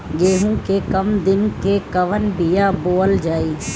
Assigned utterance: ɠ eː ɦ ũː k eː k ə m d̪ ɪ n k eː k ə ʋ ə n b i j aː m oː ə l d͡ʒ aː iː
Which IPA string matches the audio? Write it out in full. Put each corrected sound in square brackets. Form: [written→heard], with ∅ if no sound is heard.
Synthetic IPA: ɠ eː ɦ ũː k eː k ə m d̪ ɪ n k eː k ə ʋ ə n b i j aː [m→b] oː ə l d͡ʒ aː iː